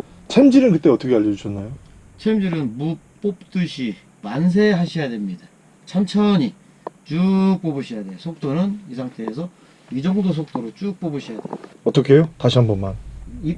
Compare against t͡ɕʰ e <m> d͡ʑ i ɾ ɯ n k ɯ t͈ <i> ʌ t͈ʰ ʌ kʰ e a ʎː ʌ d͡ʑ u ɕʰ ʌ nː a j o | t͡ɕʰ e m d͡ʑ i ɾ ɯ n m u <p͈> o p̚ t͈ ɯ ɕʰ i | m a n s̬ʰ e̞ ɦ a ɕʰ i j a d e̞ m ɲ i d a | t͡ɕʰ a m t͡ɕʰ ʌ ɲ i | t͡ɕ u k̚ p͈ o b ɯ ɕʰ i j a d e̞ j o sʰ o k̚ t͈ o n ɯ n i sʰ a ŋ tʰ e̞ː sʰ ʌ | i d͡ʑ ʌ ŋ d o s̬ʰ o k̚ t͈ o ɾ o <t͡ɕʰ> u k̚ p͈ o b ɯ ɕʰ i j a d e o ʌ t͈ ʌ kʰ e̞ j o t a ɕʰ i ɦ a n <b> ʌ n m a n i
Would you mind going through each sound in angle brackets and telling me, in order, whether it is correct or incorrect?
correct, incorrect: e, correct, incorrect: t͡ɕ, correct

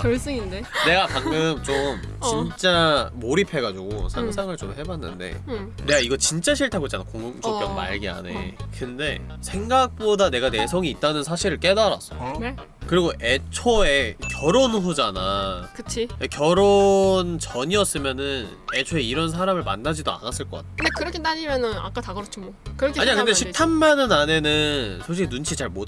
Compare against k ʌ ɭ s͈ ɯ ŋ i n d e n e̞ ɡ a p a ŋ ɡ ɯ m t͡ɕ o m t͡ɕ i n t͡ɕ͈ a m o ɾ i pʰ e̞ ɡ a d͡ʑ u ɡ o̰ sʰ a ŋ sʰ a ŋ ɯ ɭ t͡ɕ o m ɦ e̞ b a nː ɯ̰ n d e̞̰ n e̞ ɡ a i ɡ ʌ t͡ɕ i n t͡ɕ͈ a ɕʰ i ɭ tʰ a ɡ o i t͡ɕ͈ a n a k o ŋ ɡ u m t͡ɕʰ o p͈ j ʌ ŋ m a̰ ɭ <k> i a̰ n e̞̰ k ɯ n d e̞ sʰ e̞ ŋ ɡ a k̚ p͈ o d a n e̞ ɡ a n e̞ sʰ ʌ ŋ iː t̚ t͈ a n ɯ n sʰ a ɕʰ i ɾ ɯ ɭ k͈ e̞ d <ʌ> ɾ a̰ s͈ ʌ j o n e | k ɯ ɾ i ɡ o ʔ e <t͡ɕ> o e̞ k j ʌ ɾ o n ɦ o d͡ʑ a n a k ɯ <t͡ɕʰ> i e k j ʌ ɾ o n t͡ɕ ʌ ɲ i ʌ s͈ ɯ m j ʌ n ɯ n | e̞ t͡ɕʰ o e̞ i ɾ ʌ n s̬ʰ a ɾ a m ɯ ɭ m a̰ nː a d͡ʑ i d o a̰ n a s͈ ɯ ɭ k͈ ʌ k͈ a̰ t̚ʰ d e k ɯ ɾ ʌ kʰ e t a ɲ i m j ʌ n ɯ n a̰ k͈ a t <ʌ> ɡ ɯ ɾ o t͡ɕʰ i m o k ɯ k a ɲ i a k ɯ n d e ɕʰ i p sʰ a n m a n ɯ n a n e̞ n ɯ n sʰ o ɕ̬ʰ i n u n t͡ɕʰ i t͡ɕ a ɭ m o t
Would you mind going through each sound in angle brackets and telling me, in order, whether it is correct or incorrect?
incorrect: ɡ, incorrect: a, incorrect: t͡ɕʰ, correct, incorrect: a

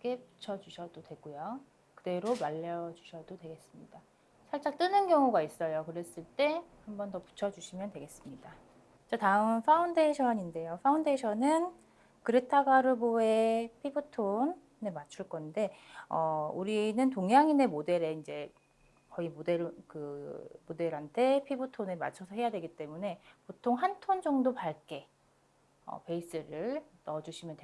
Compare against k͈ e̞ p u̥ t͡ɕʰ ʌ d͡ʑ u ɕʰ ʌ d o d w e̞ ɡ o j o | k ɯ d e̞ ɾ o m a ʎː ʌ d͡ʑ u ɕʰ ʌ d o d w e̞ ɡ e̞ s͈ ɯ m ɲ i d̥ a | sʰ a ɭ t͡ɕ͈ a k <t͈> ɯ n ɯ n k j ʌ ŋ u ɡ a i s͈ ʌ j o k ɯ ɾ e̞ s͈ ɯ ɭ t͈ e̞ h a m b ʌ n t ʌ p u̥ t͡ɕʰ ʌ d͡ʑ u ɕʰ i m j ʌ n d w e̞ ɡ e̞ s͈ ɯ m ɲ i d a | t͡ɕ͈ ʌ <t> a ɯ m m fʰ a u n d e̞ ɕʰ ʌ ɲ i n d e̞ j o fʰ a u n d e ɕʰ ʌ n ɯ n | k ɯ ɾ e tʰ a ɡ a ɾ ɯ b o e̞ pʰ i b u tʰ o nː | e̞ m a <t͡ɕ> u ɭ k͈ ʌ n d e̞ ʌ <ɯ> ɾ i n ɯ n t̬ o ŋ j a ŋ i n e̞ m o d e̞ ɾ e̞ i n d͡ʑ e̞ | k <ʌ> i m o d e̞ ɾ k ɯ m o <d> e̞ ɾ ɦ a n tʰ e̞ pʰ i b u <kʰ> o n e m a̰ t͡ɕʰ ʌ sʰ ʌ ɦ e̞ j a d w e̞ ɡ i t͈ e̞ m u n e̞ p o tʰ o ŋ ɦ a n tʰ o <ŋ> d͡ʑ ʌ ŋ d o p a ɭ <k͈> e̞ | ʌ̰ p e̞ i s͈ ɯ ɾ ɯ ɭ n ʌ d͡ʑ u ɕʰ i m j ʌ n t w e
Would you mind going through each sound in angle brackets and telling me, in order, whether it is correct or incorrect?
correct, correct, incorrect: t͡ɕʰ, incorrect: u, correct, correct, incorrect: tʰ, incorrect: n, correct

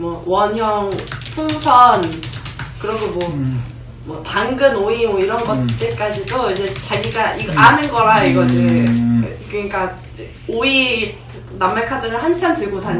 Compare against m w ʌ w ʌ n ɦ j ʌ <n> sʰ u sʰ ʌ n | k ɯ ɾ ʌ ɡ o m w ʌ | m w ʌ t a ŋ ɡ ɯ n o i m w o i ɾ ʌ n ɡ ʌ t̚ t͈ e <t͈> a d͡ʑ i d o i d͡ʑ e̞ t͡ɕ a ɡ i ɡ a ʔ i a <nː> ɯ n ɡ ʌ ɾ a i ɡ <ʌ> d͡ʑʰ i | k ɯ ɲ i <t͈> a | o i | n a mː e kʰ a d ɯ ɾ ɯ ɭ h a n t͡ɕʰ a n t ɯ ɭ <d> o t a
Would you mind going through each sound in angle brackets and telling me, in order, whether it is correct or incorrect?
incorrect: ŋ, incorrect: k͈, incorrect: n, correct, incorrect: k͈, incorrect: ɡ

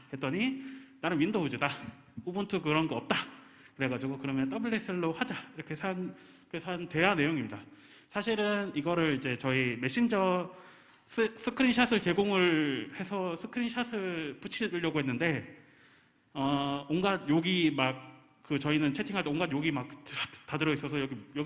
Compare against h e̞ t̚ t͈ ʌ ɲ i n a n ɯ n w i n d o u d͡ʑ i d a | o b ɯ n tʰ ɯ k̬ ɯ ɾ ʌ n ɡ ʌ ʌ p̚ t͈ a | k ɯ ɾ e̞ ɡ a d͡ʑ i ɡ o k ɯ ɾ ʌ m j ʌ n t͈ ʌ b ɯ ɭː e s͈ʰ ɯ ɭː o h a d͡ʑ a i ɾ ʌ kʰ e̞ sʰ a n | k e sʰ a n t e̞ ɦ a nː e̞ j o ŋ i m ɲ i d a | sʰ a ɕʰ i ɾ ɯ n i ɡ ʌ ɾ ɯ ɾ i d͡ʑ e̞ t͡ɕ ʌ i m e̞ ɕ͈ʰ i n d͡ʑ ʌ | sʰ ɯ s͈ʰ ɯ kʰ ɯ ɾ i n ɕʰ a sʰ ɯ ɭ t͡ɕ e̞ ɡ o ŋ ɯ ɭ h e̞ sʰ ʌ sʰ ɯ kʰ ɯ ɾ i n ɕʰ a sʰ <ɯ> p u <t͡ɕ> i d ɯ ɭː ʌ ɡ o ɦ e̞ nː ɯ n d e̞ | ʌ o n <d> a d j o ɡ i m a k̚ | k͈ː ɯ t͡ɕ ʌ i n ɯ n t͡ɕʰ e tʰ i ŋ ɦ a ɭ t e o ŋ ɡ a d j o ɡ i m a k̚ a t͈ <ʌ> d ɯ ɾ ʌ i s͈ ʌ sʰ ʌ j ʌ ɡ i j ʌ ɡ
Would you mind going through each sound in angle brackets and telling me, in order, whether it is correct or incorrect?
correct, incorrect: t͡ɕʰ, incorrect: ɡ, incorrect: a

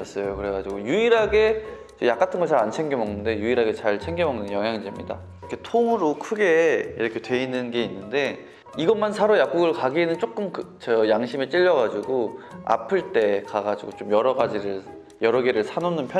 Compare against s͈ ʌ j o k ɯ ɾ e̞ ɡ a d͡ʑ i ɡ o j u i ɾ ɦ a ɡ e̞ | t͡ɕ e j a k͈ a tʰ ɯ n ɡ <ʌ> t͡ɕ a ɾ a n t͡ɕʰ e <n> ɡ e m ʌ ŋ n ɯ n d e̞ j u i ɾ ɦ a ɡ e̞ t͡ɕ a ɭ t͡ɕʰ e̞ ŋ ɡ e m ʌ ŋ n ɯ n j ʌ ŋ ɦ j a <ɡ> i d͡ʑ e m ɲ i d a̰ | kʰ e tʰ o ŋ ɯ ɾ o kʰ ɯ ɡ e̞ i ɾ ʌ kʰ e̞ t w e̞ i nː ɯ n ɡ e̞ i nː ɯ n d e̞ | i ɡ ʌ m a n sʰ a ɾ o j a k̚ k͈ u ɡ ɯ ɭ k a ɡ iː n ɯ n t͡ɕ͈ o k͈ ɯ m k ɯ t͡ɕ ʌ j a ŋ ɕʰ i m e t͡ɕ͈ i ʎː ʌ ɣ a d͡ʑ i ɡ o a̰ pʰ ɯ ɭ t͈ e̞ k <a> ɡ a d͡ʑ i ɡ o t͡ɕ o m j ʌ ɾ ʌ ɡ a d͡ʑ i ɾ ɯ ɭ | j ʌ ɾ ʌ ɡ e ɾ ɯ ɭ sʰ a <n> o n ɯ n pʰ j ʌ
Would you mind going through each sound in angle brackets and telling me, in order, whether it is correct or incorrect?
correct, incorrect: ŋ, incorrect: ŋ, correct, correct

